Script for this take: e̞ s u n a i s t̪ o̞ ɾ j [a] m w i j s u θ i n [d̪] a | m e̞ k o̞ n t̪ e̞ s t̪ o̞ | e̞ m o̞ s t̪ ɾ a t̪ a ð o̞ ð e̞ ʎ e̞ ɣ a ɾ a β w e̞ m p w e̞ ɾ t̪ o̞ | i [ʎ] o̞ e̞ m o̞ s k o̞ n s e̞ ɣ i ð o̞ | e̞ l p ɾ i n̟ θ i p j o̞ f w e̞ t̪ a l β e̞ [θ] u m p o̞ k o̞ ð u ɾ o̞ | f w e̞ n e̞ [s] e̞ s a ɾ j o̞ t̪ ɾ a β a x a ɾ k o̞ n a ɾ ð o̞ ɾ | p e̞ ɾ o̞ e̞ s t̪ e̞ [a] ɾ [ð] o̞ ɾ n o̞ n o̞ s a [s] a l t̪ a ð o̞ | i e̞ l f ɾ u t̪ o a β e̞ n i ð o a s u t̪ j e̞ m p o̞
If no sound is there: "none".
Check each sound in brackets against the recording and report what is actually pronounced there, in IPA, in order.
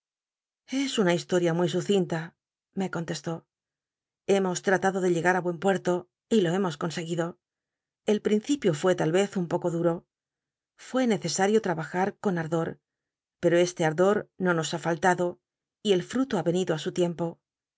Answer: a, t̪, l, θ, θ, a, ð, f

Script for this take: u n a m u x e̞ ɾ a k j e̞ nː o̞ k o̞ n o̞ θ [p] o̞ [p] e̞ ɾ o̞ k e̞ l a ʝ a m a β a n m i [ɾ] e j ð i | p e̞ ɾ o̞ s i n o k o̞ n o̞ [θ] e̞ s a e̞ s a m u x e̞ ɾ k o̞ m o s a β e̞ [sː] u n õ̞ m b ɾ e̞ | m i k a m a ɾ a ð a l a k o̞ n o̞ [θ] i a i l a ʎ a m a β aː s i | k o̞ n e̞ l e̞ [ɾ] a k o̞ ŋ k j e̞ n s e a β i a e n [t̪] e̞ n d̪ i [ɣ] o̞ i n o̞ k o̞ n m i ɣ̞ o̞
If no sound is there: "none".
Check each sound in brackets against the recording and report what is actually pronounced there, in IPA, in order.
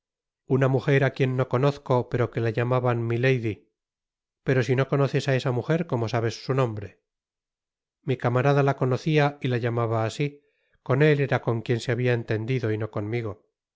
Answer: k, p, l, θ, sː, θ, ɾ, t̪, ð

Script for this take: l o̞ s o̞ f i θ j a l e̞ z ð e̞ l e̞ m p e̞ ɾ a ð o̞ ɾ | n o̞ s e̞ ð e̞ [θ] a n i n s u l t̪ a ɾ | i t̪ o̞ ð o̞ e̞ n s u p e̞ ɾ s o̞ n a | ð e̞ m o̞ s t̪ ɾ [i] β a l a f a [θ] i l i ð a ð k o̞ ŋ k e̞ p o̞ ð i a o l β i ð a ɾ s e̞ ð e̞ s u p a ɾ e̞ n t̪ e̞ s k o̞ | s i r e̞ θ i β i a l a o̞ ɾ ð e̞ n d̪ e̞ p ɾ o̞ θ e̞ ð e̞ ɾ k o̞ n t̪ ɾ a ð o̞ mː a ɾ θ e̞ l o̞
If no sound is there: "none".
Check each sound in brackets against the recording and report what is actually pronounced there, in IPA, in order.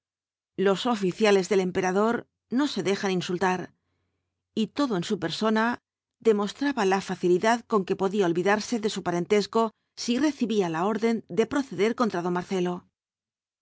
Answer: x, a, θ

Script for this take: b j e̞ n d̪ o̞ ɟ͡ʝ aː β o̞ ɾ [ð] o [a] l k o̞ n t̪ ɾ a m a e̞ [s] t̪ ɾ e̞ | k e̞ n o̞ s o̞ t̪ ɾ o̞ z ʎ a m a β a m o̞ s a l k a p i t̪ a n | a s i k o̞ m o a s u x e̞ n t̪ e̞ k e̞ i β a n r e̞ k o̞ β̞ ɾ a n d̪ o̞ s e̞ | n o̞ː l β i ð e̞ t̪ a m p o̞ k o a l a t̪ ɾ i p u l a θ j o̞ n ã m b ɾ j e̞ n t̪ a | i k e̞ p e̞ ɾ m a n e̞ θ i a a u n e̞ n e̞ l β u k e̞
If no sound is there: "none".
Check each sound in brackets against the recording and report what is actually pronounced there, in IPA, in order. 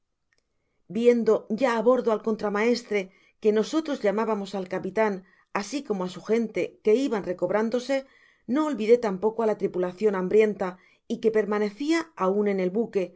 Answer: ð, a, s

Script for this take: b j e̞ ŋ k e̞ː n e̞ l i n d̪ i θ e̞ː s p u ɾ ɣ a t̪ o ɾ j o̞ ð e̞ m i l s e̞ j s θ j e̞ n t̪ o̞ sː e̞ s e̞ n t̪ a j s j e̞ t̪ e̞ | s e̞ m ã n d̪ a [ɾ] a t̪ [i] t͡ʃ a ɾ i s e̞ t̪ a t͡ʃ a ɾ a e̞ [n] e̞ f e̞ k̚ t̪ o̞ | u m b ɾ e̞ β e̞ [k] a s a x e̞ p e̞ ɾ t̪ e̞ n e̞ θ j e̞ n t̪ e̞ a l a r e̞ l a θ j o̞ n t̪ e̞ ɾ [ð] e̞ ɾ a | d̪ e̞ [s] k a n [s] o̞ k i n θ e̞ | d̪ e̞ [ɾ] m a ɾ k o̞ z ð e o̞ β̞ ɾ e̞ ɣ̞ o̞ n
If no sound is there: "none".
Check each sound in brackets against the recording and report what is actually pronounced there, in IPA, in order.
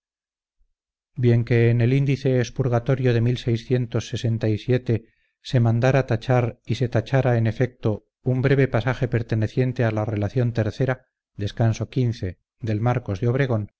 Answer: ɾ, a, n, p, θ, s, s, l

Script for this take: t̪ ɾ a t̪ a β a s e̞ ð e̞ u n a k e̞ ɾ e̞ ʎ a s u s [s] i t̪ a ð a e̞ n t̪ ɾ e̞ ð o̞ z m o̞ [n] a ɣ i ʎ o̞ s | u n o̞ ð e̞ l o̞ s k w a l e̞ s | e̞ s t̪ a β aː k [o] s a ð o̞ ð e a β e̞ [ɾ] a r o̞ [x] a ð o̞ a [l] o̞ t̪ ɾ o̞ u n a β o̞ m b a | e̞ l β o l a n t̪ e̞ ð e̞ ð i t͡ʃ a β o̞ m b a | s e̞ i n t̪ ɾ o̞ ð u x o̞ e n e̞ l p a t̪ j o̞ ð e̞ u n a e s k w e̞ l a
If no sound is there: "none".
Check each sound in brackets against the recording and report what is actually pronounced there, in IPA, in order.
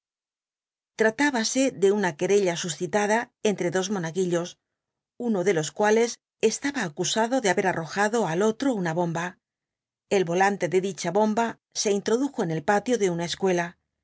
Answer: θ, n, u, ɾ, x, l

